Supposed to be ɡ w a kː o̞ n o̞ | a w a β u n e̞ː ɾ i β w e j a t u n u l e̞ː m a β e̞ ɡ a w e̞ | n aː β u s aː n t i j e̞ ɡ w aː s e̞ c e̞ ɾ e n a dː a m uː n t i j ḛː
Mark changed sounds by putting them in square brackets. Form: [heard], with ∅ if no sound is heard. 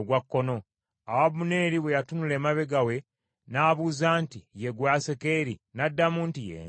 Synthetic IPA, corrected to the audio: ɡ w a kː o̞ n o̞ | a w a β u n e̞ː ɾ i β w e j a t u n u l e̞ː m a β e̞ ɡ a w e̞ | n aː β u [z] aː n t i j e̞ ɡ w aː s e̞ [k] e̞ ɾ [i] n a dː a m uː n t i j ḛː